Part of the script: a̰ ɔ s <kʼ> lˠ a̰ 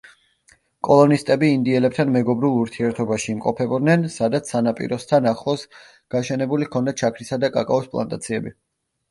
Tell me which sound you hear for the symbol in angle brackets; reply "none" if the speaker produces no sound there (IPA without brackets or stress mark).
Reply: pʼ